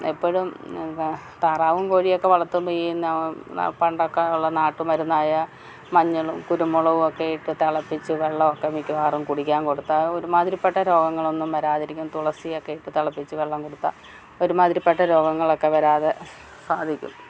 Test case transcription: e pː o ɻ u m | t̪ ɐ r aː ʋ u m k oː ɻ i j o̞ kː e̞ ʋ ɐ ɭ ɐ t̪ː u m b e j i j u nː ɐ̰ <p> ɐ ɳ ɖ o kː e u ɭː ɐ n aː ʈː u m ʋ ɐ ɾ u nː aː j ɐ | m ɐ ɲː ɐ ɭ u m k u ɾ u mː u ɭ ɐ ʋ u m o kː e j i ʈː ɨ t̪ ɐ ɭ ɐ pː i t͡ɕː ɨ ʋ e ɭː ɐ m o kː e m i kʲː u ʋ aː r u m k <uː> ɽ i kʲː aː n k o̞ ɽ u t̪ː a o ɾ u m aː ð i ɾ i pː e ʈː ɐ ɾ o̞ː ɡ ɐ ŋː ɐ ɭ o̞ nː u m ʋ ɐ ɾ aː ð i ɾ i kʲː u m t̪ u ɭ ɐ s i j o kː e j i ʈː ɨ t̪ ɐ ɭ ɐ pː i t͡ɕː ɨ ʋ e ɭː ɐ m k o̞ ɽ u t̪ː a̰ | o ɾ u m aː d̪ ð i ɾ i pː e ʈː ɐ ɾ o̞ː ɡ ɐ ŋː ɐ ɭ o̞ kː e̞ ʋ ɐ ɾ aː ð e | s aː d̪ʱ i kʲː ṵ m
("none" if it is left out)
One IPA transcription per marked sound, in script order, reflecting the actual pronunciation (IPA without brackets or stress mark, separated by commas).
p, u